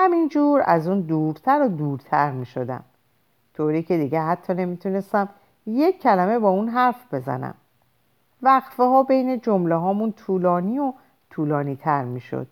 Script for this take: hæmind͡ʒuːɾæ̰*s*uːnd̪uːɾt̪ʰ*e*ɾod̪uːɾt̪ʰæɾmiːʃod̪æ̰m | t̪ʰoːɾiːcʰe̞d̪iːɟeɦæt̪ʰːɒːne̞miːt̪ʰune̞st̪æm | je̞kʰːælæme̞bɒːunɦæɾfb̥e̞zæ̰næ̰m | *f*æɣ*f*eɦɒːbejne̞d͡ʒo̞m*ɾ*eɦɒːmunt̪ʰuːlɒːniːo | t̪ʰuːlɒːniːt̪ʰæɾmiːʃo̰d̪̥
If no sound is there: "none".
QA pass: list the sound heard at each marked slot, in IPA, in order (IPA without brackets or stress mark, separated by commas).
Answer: z, æ, v, f, l